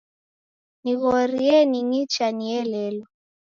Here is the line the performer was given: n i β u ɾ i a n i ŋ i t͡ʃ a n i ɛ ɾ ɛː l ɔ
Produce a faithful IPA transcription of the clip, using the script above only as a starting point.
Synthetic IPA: n i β ɔ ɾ i ɛ n i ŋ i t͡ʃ a n i ɛ l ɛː l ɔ